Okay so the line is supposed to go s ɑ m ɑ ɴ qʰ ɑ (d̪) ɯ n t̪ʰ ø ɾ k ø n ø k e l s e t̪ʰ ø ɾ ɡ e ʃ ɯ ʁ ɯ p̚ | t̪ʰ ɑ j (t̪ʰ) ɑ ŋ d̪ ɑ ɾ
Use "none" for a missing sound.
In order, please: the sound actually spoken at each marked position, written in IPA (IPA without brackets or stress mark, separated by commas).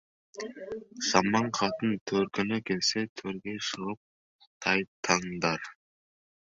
t̪, t̪ʰ